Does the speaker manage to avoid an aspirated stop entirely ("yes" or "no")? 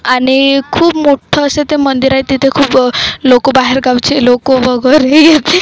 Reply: no